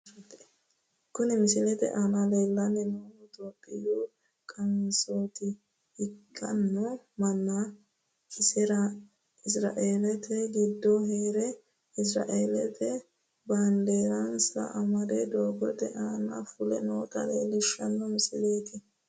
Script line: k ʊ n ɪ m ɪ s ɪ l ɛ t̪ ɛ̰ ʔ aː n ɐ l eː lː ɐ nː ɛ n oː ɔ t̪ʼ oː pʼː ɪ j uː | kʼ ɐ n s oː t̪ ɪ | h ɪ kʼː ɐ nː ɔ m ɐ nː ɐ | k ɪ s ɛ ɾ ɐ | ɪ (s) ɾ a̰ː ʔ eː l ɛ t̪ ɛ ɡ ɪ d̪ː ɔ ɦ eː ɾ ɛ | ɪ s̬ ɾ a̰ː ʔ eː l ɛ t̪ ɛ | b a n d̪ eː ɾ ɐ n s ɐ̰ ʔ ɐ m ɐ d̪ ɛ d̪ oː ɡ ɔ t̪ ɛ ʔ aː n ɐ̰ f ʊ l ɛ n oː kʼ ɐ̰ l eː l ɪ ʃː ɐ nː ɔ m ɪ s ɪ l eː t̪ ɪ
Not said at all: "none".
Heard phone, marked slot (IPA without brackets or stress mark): s